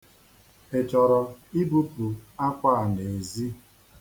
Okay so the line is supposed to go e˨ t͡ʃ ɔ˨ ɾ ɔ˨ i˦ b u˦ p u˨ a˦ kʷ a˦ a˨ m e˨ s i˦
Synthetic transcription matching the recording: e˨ t͡ʃ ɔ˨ ɾ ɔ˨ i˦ b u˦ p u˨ a˦ kʷ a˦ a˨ n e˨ z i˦